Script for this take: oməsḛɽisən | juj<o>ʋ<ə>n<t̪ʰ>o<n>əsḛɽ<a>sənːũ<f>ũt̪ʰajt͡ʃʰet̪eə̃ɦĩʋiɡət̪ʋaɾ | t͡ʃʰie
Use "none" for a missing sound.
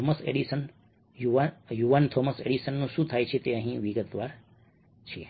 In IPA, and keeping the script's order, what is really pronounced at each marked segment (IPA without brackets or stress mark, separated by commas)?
u, a, t̪ʰ, m, i, ʃ